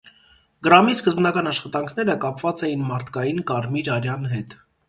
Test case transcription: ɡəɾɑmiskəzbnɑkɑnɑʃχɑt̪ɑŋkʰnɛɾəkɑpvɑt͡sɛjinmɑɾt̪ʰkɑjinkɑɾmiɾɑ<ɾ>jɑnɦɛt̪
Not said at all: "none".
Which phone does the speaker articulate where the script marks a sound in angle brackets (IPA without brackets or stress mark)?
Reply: ɾ